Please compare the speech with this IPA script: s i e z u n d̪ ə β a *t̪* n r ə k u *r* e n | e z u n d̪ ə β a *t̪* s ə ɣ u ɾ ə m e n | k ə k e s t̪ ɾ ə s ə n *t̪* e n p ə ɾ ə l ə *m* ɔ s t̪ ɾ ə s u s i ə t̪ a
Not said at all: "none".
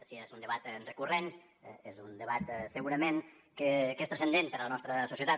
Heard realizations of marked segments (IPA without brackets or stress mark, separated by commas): t̪, r, t̪, d̪, n